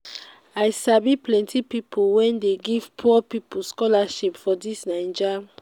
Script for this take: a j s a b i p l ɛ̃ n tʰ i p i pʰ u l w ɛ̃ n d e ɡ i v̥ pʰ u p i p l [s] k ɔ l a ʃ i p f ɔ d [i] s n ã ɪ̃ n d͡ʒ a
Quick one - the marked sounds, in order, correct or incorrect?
correct, correct

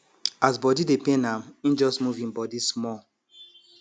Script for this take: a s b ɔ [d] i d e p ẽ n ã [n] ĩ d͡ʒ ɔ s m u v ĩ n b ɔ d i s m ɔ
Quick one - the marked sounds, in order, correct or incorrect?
correct, incorrect: m

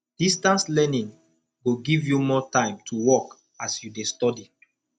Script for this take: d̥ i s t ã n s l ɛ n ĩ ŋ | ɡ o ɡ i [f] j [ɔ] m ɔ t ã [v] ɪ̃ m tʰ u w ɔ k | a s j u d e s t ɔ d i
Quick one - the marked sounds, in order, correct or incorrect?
incorrect: v, incorrect: u, incorrect: none

